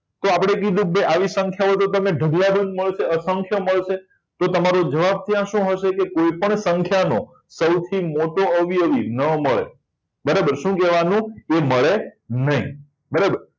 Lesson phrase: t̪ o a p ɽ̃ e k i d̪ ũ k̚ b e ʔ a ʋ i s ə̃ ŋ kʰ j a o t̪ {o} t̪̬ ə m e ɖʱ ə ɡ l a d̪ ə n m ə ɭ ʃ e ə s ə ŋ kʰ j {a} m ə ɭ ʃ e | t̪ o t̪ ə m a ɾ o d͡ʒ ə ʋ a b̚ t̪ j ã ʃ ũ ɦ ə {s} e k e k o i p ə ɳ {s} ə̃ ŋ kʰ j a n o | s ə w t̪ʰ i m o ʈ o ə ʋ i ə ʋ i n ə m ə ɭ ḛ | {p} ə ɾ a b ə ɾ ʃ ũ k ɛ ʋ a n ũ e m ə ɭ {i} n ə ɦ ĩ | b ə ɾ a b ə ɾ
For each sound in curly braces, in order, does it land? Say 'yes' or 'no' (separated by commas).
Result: yes, no, no, yes, no, no